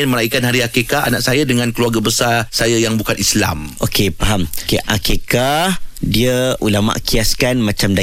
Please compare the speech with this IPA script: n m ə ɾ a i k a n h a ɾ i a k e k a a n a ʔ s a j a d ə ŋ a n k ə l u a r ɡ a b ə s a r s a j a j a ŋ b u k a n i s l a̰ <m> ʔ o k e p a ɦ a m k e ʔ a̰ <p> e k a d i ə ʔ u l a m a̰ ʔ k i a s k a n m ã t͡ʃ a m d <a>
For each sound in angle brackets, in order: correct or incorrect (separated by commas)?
correct, incorrect, correct